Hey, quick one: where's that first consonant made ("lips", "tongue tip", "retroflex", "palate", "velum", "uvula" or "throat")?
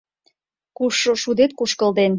velum